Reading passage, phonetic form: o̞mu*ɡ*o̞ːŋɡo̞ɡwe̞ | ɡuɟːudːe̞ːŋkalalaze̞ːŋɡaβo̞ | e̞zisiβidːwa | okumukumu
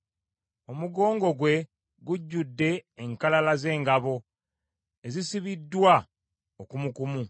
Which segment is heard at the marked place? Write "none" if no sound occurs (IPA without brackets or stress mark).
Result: ɡ